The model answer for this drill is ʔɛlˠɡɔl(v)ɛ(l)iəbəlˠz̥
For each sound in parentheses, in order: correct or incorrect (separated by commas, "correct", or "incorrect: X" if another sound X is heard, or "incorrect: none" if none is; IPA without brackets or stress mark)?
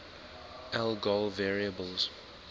correct, incorrect: ɹ